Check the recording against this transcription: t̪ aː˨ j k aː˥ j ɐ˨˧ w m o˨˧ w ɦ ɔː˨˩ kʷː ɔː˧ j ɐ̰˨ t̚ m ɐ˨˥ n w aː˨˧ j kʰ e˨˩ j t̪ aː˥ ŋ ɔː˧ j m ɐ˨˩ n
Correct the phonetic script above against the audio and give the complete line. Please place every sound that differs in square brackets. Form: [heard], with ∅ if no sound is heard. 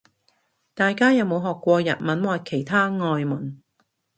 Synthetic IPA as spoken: t̪ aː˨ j k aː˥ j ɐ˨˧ w m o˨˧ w ɦ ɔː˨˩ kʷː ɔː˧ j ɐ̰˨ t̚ m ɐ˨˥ n w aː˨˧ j kʰ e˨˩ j [t̪ʰ] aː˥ ŋ ɔː˧ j m ɐ˨˩ n